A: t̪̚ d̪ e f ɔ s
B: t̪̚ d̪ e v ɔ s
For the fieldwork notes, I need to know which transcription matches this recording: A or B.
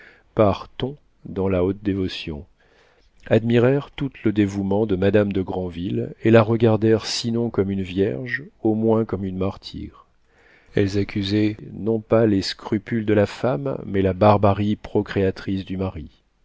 B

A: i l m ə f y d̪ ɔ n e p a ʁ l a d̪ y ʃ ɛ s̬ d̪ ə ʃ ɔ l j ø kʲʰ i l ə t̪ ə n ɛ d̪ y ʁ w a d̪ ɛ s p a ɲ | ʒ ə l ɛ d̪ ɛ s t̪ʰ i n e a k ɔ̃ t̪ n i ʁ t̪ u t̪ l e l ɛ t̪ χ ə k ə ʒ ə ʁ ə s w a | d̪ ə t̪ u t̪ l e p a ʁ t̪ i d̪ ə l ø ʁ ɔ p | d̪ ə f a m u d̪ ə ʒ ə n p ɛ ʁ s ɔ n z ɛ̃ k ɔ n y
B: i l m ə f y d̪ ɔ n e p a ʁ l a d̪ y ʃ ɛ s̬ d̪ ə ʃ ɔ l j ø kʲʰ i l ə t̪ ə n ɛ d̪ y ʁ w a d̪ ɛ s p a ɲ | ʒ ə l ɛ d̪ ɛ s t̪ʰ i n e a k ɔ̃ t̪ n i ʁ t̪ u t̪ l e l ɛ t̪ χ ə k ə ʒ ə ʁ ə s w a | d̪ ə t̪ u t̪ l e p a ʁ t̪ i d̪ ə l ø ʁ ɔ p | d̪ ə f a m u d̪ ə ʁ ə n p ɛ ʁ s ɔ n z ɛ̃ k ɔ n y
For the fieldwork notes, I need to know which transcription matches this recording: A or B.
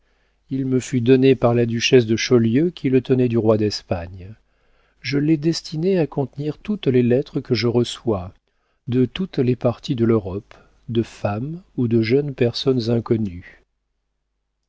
A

